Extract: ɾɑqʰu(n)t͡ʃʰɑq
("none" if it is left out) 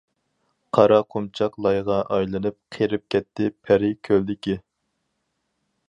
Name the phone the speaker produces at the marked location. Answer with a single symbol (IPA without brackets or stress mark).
m